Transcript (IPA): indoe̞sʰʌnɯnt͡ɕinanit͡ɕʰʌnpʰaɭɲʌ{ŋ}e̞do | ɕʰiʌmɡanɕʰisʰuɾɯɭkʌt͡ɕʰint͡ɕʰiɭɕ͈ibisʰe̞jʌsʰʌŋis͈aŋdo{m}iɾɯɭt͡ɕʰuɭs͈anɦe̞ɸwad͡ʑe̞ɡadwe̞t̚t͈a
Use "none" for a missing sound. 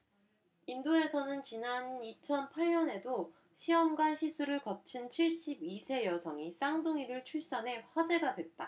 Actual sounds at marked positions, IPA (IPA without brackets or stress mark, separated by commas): n, ŋ